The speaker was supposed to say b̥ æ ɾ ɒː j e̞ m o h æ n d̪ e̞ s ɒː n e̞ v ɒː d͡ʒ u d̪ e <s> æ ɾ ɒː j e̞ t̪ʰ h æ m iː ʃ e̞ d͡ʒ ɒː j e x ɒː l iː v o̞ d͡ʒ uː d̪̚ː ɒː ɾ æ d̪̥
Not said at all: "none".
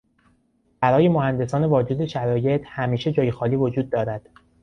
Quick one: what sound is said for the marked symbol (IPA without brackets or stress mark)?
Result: ʃ